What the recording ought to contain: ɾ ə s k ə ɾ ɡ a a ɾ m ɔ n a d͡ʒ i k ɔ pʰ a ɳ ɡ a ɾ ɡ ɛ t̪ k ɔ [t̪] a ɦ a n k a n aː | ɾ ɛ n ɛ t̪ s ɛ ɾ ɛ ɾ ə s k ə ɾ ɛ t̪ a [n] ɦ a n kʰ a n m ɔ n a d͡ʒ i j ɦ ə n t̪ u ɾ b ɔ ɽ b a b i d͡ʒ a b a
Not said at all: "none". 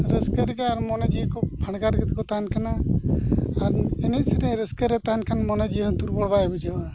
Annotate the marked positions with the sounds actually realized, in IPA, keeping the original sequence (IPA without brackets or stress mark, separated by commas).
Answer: t̪, none